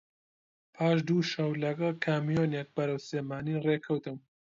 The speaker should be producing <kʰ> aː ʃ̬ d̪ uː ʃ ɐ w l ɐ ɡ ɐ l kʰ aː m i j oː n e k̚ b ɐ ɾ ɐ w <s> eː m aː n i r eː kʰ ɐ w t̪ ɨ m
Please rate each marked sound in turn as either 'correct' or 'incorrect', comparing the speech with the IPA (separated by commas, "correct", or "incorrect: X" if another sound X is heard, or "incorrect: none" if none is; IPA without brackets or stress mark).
incorrect: pʰ, correct